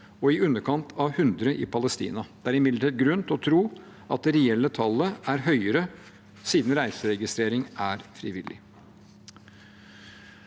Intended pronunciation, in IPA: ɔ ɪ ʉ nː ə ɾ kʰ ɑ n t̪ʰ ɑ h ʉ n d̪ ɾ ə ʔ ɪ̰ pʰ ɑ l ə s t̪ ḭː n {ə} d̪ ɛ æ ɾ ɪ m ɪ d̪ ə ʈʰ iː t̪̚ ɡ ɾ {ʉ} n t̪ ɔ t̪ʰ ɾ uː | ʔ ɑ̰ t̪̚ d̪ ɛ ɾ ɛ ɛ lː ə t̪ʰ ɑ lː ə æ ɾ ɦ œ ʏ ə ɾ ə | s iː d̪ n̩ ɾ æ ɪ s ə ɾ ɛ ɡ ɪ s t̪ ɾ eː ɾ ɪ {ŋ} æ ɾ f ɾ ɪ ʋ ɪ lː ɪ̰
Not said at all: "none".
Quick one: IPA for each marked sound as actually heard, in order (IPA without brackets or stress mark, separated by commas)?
ɑ, ʉ, ŋ